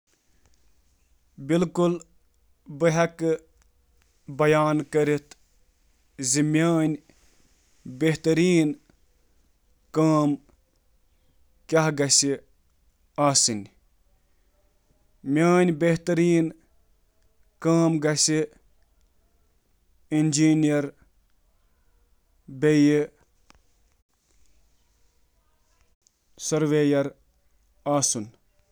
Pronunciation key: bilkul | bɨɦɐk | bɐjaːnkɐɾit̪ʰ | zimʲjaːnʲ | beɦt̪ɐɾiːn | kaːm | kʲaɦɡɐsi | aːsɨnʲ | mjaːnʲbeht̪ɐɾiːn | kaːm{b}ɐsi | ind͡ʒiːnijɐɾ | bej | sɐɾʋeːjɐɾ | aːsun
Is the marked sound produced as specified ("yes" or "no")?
no